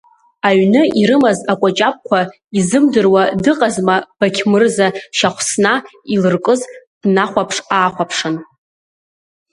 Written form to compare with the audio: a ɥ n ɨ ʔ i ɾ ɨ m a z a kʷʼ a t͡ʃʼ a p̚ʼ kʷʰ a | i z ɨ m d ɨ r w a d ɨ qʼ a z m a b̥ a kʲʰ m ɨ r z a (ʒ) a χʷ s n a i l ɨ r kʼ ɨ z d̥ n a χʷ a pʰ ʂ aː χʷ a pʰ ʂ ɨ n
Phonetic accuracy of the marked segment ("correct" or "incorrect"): incorrect